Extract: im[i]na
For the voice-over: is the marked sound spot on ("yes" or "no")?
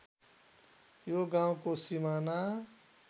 no